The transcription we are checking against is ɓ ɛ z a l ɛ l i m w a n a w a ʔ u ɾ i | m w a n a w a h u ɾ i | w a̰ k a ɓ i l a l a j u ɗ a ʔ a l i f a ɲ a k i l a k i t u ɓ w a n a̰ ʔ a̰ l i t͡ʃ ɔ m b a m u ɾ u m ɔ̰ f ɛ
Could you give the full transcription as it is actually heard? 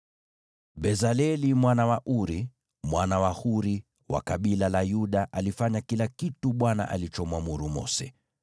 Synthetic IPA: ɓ ɛ z a l ɛ l i m w a n a w a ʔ u ɾ i | m w a n a w a h u ɾ i | w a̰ k a ɓ i l a l a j u ɗ a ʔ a l i f a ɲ a k i l a k i t u ɓ w a n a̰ ʔ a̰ l i t͡ʃ ɔ m w a m u ɾ u m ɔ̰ s ɛ